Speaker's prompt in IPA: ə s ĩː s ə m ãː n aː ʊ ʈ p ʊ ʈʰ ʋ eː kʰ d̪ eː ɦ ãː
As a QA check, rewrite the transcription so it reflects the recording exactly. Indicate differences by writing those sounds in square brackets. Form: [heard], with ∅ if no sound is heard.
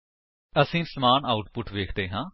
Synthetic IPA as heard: ə s ĩː s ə m [aː] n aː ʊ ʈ p ʊ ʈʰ ʋ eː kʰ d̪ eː ɦ ãː